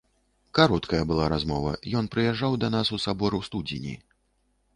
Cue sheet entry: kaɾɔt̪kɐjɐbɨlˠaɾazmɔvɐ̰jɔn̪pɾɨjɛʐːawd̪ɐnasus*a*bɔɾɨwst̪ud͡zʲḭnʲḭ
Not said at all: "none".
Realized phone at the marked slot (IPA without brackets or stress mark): a